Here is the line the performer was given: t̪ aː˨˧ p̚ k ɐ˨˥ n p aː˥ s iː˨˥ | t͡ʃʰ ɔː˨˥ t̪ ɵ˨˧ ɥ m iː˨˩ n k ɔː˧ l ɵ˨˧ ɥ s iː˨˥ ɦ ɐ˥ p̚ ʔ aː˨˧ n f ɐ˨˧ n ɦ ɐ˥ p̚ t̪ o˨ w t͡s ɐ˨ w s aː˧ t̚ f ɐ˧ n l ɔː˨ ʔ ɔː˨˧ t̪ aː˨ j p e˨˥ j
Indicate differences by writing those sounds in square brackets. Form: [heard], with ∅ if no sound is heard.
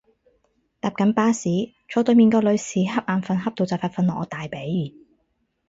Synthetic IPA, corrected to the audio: t̪ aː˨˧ p̚ k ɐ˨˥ n p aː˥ s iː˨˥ | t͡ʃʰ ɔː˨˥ t̪ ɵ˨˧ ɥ m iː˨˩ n k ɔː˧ l ɵ˨˧ ɥ s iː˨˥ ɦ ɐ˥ p̚ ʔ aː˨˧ n f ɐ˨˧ n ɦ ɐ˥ p̚ t̪ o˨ w t͡s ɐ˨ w [f] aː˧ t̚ f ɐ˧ n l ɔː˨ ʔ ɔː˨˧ t̪ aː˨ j p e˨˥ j